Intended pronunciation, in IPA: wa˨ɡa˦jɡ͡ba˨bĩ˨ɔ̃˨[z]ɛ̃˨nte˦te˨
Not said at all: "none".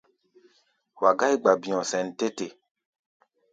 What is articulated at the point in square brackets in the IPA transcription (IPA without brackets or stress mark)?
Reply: s